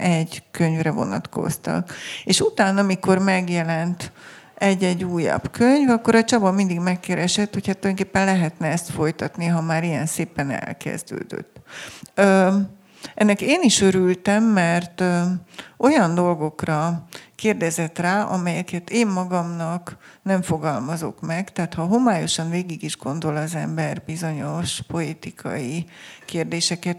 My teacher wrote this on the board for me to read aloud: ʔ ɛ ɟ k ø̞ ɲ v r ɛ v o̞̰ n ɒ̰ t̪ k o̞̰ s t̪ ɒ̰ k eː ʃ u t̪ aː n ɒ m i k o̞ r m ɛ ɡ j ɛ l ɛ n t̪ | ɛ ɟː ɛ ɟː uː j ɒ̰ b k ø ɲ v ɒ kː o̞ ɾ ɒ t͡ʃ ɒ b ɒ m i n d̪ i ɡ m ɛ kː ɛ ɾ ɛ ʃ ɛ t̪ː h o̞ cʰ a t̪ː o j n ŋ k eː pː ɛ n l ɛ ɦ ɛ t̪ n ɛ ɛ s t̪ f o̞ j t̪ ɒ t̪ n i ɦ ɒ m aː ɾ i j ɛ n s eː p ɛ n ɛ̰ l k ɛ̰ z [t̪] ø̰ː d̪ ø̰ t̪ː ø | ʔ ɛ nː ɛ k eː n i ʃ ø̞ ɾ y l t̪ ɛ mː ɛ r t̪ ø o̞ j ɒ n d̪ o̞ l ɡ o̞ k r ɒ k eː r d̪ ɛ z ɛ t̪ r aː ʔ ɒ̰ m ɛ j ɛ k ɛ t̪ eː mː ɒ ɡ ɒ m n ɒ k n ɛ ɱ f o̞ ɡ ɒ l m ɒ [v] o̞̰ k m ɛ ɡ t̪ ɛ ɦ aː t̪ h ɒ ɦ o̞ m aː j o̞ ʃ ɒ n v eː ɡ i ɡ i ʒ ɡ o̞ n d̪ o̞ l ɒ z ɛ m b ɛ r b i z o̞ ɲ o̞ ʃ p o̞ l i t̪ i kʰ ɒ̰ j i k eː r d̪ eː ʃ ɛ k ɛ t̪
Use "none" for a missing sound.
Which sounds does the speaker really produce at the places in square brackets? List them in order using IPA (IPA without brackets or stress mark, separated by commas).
d̪, z